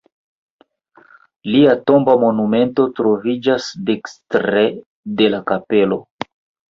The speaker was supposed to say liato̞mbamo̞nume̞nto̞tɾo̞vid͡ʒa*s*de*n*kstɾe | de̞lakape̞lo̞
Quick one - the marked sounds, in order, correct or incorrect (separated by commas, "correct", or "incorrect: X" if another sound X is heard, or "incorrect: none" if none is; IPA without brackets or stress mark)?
correct, incorrect: none